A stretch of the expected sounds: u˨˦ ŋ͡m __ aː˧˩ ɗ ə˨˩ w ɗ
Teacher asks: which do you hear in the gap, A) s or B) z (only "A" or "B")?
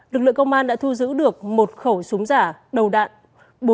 B